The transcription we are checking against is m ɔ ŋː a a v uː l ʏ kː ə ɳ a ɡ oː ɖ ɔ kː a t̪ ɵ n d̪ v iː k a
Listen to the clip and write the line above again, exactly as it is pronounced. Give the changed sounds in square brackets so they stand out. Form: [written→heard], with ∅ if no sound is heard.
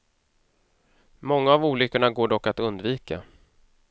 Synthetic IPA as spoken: m ɔ ŋː a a v uː l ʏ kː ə ɳ a ɡ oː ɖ ɔ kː a t̪ ɵ n d̪ v iː k a